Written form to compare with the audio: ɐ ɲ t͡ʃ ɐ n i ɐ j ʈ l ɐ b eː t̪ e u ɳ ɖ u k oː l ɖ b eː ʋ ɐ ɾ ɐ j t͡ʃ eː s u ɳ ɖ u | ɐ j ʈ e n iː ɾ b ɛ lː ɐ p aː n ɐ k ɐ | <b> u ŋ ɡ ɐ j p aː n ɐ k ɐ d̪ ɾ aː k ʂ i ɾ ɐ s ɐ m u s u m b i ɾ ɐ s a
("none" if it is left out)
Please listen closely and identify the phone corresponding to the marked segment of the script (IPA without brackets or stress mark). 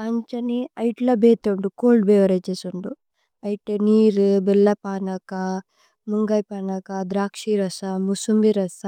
m